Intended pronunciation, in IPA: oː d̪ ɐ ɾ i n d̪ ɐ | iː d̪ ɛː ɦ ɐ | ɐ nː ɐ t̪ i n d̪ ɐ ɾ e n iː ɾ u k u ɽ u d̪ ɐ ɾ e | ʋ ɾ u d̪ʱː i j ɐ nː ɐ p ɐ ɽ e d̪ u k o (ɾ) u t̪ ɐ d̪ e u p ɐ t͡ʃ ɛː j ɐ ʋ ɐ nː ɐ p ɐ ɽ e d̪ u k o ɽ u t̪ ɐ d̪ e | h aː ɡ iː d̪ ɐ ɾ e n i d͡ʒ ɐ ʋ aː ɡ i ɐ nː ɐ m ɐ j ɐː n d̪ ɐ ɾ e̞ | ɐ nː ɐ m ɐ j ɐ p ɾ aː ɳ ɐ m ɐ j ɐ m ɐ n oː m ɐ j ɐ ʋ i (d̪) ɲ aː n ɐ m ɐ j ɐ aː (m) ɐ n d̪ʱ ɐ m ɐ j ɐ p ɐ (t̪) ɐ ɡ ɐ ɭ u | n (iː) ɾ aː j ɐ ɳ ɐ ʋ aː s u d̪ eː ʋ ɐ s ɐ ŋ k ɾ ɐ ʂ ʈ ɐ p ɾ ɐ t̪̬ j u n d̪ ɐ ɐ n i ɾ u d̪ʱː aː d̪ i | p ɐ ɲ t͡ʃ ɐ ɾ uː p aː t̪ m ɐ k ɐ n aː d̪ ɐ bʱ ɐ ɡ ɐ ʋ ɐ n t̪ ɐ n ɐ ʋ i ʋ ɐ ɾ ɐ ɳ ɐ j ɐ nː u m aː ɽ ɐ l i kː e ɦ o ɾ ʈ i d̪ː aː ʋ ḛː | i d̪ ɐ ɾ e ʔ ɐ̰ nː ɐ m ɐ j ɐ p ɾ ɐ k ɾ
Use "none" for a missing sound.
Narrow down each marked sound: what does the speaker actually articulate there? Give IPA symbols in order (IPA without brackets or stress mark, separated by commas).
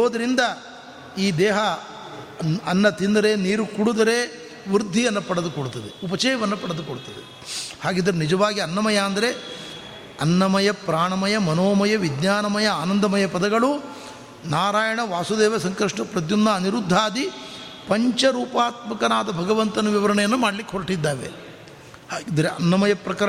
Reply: ɽ, d̪, n, d̪, aː